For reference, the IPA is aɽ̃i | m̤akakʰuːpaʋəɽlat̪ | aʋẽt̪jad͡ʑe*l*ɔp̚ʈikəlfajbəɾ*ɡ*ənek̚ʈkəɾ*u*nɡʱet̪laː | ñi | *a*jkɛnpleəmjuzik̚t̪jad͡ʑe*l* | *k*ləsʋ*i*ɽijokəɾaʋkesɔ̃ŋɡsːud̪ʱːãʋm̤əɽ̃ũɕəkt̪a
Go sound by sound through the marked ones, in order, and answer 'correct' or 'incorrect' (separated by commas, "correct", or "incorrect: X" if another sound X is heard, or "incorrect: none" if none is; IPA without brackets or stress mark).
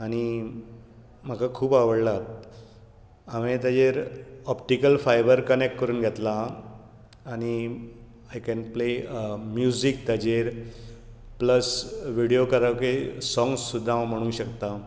incorrect: ɾ, incorrect: k, incorrect: uː, correct, incorrect: ɾ, incorrect: p, correct